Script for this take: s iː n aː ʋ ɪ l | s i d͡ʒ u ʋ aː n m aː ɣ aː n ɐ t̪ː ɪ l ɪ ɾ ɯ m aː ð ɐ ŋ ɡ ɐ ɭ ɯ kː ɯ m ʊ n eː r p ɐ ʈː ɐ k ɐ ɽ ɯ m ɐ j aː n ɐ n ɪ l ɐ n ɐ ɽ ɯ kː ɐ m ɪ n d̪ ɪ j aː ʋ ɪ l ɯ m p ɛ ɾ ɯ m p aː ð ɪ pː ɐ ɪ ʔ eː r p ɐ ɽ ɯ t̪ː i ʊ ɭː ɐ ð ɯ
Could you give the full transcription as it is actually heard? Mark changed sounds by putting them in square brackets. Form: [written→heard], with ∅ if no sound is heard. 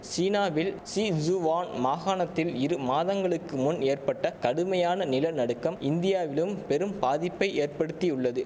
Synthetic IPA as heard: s iː n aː ʋ ɪ l | s i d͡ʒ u ʋ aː n m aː ɣ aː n ɐ t̪ː ɪ l ɪ ɾ ɯ m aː ð ɐ ŋ ɡ ɐ ɭ ɯ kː ɯ m ʊ n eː r p ɐ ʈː ɐ k ɐ ɽ ɯ m ɐ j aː n ɐ n ɪ l ɐ n ɐ ɽ ɯ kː ɐ m ɪ n d̪ ɪ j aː ʋ ɪ l ɯ m p ɛ ɾ ɯ m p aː ð ɪ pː ɐ ɪ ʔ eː r p ɐ ɽ ɯ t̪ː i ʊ ɭː ɐ ð ɯ